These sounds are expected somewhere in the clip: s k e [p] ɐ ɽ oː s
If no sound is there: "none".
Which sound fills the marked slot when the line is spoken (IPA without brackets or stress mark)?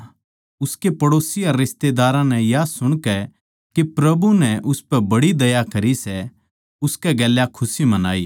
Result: p